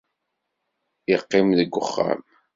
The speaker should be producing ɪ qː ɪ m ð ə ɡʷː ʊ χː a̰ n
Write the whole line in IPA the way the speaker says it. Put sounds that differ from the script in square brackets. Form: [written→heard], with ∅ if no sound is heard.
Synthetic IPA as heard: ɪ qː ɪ m ð ə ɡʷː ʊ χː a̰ [n→m]

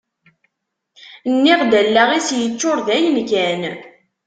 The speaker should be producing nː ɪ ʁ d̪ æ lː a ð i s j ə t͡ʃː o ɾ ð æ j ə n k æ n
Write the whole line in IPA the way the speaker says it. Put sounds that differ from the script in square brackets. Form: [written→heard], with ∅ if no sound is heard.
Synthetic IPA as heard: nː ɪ ʁ d̪ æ lː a [ð→ʁ] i s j ə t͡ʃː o ɾ ð æ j ə n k æ n

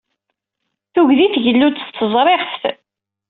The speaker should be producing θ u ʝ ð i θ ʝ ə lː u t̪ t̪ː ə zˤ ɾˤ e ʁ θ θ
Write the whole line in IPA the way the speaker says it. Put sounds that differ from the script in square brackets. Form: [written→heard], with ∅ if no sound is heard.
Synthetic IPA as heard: θ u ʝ ð i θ ʝ ə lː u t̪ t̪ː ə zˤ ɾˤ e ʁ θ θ

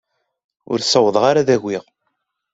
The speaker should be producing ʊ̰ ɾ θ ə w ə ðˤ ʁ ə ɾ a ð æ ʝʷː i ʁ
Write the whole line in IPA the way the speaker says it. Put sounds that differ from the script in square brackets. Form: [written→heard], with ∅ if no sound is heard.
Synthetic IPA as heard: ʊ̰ ɾ [θ→s] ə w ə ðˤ ʁ [ə→a] ɾ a ð æ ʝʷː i ʁ

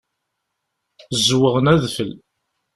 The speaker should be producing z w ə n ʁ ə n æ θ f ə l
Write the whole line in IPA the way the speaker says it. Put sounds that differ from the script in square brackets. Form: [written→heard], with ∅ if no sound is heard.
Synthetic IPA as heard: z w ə [n→∅] ʁ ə n æ [θ→ð] f ə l

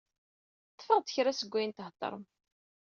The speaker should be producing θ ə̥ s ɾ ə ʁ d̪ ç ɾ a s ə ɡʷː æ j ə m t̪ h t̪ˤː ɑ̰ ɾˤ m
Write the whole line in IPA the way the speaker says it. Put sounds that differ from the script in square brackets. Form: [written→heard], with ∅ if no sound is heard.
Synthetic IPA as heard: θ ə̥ [s→f] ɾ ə ʁ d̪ ç ɾ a s ə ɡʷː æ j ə [m→n] t̪ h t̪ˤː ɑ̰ ɾˤ m

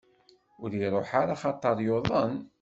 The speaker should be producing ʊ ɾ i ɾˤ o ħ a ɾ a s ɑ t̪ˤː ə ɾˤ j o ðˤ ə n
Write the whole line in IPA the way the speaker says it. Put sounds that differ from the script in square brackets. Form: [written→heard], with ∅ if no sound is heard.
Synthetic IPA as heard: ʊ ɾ i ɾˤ o ħ a ɾ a [s→χ] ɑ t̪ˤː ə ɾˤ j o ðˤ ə n

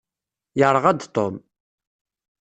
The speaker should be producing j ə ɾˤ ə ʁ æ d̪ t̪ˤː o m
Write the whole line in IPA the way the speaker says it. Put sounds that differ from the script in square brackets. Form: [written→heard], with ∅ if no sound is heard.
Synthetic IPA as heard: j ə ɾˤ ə ʁ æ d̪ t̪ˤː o m

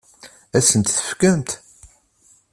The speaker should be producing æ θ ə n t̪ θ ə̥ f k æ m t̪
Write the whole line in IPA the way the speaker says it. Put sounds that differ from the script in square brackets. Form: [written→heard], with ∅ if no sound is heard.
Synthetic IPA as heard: æ [θ→s] ə n t̪ θ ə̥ f k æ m t̪

